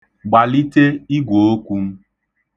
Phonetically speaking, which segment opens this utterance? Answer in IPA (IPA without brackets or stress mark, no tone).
ɡ͡b